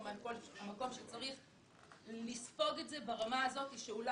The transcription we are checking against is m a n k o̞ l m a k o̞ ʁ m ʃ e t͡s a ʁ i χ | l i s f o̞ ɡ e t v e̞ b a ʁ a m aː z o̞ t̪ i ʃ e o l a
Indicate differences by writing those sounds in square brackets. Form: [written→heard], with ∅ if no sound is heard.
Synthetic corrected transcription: m a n k o̞ l m a k o̞ [ʁ→∅] m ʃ e t͡s a ʁ i χ | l i s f o̞ ɡ e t [v→z] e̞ b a ʁ a m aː z o̞ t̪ i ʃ e [o→u] l a